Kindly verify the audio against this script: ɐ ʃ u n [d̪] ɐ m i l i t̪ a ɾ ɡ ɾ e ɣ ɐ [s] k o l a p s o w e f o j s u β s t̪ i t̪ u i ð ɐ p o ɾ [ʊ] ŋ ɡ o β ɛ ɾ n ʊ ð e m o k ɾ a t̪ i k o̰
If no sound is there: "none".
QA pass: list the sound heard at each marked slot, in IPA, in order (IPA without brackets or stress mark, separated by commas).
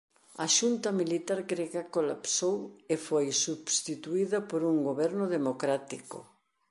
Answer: t̪, none, u